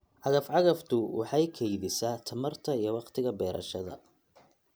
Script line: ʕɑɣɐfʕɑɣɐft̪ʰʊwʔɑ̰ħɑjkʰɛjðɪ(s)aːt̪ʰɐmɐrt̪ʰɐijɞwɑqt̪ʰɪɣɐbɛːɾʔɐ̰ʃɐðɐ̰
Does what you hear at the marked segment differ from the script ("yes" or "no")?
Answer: no